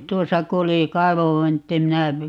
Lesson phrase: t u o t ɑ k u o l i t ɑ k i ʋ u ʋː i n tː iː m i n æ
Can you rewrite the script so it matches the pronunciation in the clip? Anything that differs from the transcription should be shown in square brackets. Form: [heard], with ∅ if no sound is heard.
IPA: t u o [s] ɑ k u o l i [k] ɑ [∅] i ʋ [o] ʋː i n tː [i] m i n æ